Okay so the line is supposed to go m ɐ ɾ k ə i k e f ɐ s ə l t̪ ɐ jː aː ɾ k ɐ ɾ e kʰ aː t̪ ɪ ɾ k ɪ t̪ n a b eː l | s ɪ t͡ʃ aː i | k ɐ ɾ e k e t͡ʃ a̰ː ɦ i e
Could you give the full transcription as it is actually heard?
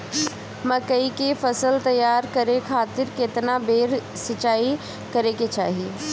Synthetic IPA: m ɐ k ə i k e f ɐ s ə l t̪ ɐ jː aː ɾ k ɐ ɾ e kʰ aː t̪ ɪ ɾ k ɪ t̪ n a b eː ɾ | s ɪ t͡ʃ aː i | k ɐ ɾ e k e t͡ʃ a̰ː ɦ i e